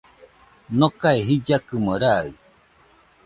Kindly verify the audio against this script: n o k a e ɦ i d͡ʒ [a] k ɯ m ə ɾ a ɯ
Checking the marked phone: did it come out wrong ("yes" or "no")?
no